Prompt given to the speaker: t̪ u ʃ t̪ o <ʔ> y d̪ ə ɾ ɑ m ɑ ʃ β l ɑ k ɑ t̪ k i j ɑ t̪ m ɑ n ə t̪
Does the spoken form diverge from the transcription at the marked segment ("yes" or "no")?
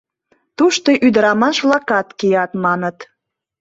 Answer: no